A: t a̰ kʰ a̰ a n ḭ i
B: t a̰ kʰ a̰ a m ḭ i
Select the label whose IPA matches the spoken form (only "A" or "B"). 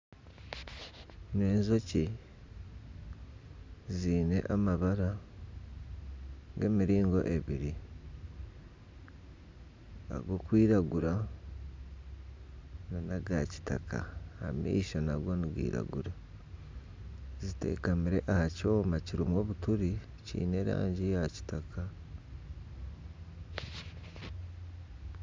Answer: B